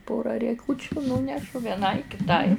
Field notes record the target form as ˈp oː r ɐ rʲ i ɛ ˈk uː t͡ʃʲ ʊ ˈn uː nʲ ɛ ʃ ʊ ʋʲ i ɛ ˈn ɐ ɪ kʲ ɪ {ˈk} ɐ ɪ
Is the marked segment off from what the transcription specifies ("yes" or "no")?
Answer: yes